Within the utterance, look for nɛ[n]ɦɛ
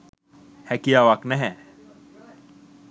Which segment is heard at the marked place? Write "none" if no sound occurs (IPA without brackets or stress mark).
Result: none